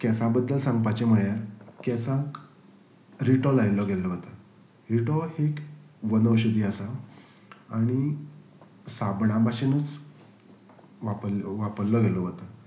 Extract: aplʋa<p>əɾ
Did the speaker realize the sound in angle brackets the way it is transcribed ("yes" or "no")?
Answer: yes